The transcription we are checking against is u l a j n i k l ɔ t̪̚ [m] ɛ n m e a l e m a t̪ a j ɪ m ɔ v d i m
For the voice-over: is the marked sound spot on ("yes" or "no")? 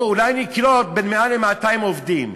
no